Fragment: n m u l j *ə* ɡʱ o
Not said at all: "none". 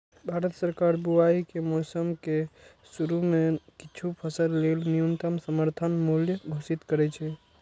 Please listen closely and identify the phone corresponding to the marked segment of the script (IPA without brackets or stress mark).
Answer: ə